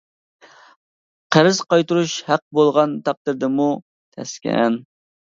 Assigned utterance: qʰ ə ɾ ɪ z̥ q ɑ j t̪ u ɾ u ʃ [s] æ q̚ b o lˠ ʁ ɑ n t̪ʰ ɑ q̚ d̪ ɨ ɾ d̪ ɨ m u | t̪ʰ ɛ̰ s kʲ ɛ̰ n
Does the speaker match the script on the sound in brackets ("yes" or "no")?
no